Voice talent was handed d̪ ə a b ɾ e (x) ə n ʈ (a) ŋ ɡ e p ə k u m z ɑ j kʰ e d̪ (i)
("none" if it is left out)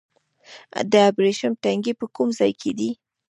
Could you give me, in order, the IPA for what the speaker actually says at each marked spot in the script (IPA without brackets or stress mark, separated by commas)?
ʃ, a, i